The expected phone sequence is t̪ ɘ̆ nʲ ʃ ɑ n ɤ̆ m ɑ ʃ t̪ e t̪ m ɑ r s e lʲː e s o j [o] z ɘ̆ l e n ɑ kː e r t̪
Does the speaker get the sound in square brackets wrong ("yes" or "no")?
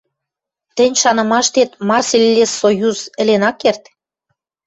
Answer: yes